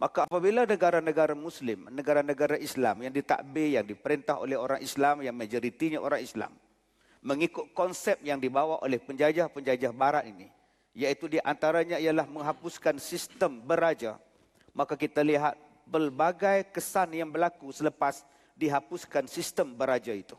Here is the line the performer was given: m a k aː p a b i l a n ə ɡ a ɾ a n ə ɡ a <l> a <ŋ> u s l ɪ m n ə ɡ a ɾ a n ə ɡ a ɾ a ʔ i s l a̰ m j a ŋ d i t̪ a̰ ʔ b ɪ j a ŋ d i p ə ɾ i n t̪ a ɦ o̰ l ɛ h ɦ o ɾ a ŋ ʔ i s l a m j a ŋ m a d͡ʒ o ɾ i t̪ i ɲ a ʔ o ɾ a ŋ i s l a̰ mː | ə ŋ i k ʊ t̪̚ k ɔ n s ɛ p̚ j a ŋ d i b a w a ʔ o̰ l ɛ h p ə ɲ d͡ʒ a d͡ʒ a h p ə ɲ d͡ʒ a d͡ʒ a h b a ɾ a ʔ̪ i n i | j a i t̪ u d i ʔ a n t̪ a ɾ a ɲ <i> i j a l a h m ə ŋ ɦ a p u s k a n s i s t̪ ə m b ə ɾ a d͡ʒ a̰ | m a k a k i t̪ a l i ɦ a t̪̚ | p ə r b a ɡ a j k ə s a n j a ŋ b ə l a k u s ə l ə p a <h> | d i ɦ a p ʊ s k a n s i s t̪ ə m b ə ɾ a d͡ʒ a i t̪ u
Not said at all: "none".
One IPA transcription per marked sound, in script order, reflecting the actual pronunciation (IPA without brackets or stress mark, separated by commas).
ɾ, m, a, s